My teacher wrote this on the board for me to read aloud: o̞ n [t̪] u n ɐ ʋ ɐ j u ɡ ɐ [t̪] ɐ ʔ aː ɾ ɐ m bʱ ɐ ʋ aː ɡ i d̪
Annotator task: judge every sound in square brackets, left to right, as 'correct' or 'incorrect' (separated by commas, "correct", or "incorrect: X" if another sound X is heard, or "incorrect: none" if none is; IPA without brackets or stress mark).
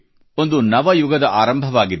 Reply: incorrect: d̪, incorrect: d̪